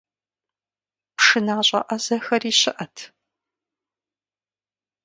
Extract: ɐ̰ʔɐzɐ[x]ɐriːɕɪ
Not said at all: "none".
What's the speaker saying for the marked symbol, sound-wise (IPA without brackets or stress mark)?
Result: x